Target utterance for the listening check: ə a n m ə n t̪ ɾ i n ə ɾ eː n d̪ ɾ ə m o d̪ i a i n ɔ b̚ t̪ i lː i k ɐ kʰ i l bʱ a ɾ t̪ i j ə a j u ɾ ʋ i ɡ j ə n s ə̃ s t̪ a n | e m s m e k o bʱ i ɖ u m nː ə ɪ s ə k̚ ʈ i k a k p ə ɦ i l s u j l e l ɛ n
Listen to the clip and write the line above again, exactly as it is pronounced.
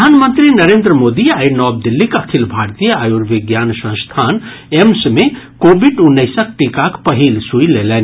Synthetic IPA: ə a n m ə n t̪ ɾ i n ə ɾ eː n d̪ ɾ ə m o d̪ i a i n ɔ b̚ d̪ i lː i k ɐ kʰ i l bʱ a ɾ t̪ i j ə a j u ɾ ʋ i ɡ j a n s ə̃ s t̪ʰ a n | e m s m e k o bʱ i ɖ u nː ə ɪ s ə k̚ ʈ i k a k p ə ɦ i l s u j l e l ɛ n

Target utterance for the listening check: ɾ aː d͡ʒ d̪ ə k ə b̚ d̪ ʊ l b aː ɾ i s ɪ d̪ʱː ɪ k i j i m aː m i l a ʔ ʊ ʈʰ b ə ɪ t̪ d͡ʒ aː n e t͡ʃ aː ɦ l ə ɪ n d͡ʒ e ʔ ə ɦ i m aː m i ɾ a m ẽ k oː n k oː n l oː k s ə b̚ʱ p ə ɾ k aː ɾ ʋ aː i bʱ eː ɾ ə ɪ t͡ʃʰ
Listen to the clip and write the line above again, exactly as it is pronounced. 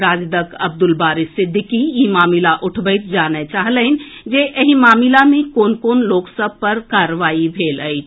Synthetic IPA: ɾ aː d͡ʒ d̪ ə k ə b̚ d̪ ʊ l b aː ɾ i s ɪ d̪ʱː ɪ k i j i m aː m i l a ʔ ʊ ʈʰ b ə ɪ t̪ d͡ʒ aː n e t͡ʃ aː ɦ l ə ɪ n d͡ʒ e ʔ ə ɦ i m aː m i l a m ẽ k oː n k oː n l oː k s ə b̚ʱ p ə ɾ k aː ɾ ʋ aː i bʱ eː l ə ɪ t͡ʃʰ

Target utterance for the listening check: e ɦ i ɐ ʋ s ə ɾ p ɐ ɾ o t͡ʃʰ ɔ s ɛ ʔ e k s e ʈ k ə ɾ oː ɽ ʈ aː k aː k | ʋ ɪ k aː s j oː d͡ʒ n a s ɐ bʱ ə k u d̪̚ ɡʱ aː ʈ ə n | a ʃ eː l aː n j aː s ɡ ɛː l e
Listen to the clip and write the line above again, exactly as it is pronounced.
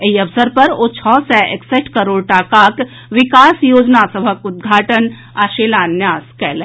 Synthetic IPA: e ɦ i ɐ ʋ s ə ɾ p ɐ ɾ o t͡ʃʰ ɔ s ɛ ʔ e k s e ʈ k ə ɾ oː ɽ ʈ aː k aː k | ʋ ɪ k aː s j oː d͡ʒ n a s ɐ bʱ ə k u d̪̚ ɡʱ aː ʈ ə n | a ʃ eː l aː n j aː s k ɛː l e

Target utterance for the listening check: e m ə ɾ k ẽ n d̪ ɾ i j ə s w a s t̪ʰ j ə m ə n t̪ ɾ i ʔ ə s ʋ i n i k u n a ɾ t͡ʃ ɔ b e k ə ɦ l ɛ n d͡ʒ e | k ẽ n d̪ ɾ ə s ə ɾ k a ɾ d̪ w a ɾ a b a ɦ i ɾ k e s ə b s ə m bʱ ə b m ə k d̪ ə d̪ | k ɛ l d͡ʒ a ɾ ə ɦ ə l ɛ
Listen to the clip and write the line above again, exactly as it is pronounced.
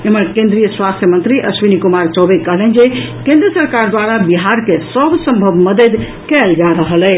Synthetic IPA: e m ə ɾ k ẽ n d̪ ɾ i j ə s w a s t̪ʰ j ə m ə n t̪ ɾ i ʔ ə s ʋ i n i k u m a ɾ t͡ʃ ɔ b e k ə ɦ l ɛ n d͡ʒ e | k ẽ n d̪ ɾ ə s ə ɾ k a ɾ d̪ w a ɾ a b i ɦ a ɾ k e s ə b s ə m bʱ ə b m ə d̪ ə d̪ | k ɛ l d͡ʒ a ɾ ə ɦ ə l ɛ

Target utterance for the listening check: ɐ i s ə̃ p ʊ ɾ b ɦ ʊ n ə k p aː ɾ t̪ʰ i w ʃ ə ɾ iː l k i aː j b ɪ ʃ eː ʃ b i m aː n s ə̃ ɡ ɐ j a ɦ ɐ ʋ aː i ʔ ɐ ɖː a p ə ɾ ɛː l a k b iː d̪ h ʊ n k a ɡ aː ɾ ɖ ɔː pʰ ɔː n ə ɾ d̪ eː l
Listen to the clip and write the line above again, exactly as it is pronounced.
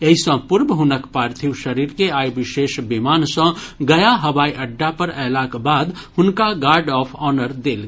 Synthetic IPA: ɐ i s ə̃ p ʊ ɾ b ɦ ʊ n ə k p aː ɾ t̪ʰ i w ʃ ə ɾ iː ɾ k e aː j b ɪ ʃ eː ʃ b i m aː n s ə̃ ɡ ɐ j a ɦ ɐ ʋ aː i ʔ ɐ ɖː a p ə ɾ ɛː l a k b aː d̪ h ʊ n k a ɡ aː ɾ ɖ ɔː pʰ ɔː n ə ɾ d̪ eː l

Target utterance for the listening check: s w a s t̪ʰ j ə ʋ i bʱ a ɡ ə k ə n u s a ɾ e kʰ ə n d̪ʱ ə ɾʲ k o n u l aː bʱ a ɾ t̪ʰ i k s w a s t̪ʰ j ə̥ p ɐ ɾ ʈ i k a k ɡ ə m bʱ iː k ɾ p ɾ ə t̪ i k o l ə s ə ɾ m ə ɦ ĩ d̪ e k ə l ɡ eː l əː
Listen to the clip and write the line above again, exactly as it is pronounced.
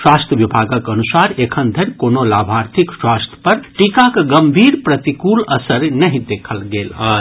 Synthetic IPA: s w a s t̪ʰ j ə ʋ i bʱ a ɡ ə k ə n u s a ɾ e kʰ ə n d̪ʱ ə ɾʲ k o n o l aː bʱ a ɾ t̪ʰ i k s w a s t̪ʰ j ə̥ p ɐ ɾ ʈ i k a k ɡ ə m bʱ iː ɾ p ɾ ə t̪ i k u l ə s ə ɾ n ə ɦ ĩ d̪ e kʰ ə l ɡ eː l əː

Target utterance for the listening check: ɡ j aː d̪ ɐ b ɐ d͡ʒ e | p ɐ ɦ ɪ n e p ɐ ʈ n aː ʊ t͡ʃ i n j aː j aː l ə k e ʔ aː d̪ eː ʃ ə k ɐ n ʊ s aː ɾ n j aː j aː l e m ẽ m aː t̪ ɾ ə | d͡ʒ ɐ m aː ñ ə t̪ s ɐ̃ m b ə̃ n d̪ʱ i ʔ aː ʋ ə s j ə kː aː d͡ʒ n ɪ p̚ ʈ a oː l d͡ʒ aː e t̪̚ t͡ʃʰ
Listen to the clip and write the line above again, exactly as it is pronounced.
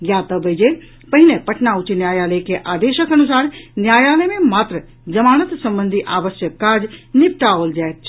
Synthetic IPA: ɡ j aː t̪ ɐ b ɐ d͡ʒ e | p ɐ ɦ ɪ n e p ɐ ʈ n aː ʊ t͡ʃ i n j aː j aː l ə k e ʔ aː d̪ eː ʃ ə k ɐ n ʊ s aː ɾ n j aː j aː l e m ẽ m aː t̪ ɾ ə | d͡ʒ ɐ m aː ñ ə t̪ s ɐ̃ m b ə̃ n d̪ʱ i ʔ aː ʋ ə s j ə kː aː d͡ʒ n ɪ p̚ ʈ a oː l d͡ʒ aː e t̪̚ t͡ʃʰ

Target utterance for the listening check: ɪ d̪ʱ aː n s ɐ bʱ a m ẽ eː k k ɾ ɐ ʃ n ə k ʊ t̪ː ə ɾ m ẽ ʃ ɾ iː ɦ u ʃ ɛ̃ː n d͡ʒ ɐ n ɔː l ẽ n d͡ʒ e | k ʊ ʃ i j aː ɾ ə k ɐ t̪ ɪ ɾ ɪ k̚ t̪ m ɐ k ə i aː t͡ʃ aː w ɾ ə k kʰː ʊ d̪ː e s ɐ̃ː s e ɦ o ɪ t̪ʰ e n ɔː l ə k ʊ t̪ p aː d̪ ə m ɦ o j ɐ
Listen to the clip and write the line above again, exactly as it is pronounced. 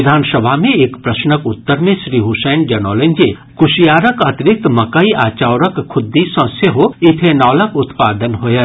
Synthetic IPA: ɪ d̪ʱ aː n s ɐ bʱ a m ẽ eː k p ɾ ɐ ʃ n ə k ʊ t̪ː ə ɾ m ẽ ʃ ɾ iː ɦ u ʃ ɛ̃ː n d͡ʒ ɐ n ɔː l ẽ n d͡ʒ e | k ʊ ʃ i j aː ɾ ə k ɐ t̪ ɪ ɾ ɪ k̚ t̪ m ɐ k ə i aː t͡ʃ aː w ɾ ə k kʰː ʊ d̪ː i s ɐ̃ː s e ɦ o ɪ t̪ʰ e n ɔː l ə k ʊ t̪ p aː d̪ ə n ɦ o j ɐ

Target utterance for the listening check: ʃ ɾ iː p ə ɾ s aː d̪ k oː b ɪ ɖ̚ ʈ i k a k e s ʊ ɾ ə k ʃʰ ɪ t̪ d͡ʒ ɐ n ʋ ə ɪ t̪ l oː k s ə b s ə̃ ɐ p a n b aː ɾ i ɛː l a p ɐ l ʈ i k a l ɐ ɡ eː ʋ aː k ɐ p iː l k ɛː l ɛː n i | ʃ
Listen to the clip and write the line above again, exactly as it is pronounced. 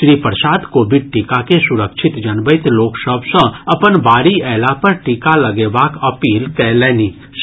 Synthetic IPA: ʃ ɾ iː p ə ɾ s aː d̪ k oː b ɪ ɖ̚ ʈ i k a k e s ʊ ɾ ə k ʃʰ ɪ t̪ d͡ʒ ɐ n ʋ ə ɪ t̪ l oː k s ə b s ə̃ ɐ p ə n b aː ɾ i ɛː l a p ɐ ɾ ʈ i k a l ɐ ɡ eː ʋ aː k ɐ p iː l k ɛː l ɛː n i | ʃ

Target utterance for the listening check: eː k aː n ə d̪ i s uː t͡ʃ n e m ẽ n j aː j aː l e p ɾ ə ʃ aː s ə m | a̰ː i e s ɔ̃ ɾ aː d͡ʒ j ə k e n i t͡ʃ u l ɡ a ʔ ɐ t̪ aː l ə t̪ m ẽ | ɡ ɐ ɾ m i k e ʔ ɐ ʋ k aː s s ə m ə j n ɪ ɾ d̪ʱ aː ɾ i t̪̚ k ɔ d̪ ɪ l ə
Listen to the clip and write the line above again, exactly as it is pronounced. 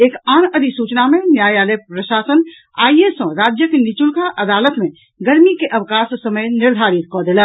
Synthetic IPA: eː k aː n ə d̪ i s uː t͡ʃ n a m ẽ n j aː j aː l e p ɾ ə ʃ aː s ə n | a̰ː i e s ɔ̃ ɾ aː d͡ʒ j ə k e n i t͡ʃ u l k a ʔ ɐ d̪ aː l ə t̪ m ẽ | ɡ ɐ ɾ m i k e ʔ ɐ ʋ k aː s s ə m ə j n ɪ ɾ d̪ʱ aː ɾ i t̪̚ k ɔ d̪ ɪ l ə

